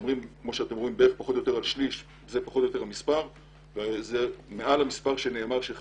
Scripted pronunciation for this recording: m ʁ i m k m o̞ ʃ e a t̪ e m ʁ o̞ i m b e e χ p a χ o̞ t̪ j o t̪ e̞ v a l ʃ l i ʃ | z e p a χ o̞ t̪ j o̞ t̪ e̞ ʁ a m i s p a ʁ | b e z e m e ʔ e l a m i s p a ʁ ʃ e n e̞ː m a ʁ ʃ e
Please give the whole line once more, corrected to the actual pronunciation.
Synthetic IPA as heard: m ʁ i m k m o̞ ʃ e a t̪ e m ʁ o̞ i m b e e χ p a χ o̞ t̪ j o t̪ e̞ ʁ a l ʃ l i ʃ | z e p a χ o̞ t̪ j o̞ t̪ e̞ ʁ a m i s p a ʁ | v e z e m e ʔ a l a m i s p a ʁ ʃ e n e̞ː m a ʁ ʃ e